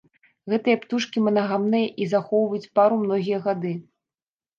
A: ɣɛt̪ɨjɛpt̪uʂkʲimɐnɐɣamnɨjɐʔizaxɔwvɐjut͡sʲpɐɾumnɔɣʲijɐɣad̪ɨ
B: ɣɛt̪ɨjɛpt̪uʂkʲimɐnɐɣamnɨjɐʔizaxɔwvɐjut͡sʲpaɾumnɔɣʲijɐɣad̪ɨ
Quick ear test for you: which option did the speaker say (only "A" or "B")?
B